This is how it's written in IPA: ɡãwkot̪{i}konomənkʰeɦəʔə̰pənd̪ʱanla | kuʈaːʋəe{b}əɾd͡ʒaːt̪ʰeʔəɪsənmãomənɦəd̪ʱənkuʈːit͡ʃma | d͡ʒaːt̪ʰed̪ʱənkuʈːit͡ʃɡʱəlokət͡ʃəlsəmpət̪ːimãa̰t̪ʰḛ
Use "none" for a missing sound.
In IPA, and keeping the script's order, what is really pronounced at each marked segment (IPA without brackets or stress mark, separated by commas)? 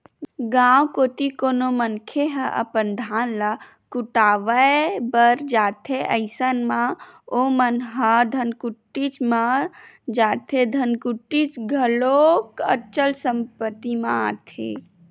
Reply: i, b